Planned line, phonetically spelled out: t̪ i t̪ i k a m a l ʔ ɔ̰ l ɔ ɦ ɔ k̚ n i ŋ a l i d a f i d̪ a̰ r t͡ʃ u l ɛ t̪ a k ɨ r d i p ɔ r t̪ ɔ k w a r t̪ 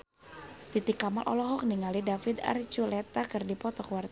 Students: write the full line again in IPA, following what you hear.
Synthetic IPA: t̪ i t̪ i k a m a l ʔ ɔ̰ l ɔ ɦ ɔ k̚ n i ŋ a l i d a f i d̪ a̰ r t͡ʃ u l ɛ t̪ a k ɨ r d i p ɔ t̪ ɔ k w a r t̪